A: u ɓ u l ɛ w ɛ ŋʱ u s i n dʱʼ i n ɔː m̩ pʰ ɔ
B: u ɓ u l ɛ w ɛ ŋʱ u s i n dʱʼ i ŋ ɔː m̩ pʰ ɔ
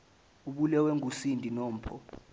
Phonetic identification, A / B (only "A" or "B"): A